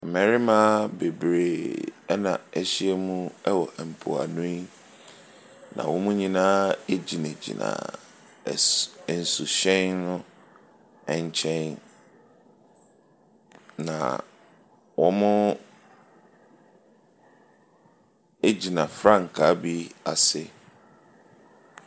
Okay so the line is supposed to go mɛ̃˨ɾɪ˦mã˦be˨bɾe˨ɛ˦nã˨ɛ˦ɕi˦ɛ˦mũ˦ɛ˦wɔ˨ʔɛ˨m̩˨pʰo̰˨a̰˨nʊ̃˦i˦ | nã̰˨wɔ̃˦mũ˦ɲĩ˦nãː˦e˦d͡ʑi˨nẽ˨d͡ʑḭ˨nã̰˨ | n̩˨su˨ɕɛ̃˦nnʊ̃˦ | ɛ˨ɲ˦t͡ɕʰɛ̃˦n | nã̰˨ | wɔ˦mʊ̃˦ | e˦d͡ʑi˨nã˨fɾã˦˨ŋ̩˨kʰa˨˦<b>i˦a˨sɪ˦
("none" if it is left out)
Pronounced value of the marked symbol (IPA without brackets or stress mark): b